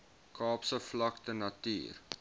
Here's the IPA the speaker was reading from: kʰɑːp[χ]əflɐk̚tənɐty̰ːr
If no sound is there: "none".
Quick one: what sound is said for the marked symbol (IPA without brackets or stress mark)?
s